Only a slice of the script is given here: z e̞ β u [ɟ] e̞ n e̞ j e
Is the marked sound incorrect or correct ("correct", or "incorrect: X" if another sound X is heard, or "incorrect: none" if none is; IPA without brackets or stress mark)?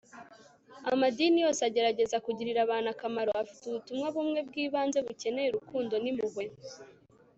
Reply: incorrect: c